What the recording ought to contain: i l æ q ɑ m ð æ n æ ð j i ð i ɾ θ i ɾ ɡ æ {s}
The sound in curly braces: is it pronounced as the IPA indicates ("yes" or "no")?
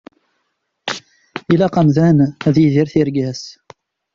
yes